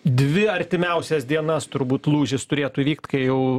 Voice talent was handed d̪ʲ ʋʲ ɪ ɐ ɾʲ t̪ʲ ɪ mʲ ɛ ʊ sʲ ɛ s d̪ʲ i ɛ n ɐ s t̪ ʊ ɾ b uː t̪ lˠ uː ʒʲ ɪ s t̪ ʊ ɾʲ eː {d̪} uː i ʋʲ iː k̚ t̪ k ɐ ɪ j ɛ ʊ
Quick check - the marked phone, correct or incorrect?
incorrect